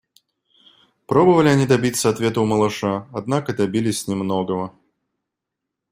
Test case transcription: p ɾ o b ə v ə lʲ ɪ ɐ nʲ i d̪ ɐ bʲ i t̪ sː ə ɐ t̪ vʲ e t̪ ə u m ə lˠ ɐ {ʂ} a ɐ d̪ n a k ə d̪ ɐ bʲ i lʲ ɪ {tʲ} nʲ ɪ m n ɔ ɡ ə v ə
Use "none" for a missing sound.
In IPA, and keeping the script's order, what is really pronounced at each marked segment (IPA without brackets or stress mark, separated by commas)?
ʂ, sʲ